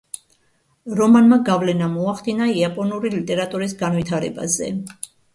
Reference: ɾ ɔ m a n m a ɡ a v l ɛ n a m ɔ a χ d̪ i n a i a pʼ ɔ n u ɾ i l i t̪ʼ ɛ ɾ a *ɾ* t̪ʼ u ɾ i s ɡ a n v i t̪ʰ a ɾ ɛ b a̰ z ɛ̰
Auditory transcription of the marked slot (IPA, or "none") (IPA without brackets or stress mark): none